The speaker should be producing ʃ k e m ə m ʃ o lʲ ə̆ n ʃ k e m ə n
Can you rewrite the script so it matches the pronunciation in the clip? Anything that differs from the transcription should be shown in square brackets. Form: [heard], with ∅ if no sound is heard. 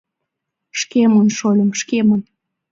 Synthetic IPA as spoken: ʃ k e m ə [n] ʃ o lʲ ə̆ [m] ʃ k e m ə n

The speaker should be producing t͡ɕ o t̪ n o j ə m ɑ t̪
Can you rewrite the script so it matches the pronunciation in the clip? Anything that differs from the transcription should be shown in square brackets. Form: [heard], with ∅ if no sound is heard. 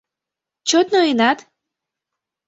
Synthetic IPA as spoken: t͡ɕ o t̪ n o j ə [n] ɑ t̪

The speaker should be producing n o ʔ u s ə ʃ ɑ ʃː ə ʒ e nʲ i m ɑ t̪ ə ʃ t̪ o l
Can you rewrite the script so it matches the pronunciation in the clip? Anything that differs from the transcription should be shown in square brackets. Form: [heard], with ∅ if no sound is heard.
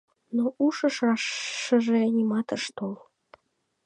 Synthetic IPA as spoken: n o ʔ u [ʃ] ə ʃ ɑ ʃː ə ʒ e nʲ i m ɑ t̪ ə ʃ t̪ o l

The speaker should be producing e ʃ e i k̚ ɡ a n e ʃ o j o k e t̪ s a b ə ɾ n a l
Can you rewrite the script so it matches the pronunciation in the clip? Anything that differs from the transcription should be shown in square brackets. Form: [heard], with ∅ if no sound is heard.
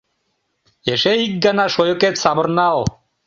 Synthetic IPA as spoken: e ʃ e i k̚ ɡ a n [a] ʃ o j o k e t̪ s a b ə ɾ n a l

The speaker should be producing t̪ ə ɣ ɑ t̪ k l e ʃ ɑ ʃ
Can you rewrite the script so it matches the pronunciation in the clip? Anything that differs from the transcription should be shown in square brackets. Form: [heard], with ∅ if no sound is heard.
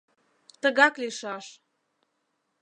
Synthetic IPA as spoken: t̪ ə ɣ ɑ [∅] k l [i] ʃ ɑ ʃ

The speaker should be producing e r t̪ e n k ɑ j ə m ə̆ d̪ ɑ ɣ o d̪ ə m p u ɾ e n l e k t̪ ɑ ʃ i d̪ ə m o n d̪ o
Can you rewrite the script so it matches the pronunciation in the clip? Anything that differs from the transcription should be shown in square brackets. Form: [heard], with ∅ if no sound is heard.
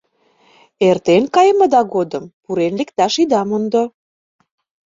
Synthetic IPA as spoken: e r t̪ e n k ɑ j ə m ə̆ d̪ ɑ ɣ o d̪ ə m p u ɾ e n l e k t̪ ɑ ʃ i d̪ [ɑ] m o n d̪ o

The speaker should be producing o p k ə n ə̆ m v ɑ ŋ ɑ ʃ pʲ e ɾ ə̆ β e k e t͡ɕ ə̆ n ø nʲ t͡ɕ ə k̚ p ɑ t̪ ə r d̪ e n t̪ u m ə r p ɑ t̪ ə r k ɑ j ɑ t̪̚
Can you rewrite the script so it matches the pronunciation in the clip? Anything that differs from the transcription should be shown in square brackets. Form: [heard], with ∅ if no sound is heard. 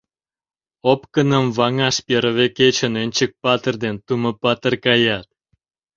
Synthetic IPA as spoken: o p k ə n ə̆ m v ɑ ŋ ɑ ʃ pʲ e ɾ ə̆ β e k e t͡ɕ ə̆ n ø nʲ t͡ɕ ə k̚ p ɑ t̪ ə r d̪ e n t̪ u m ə [∅] p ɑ t̪ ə r k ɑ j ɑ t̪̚

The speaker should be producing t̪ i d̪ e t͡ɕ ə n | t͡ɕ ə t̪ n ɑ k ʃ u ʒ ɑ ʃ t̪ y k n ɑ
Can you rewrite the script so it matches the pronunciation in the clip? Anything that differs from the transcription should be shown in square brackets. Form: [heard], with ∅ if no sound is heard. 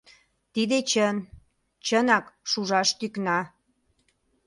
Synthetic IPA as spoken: t̪ i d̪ e t͡ɕ ə n | t͡ɕ ə [∅] n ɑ k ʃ u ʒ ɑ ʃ t̪ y k n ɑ

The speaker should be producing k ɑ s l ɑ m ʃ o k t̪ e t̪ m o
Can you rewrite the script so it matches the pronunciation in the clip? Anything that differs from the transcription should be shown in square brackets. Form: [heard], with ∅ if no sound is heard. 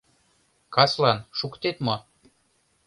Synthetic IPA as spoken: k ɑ s l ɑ [n] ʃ [u] k t̪ e t̪ m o

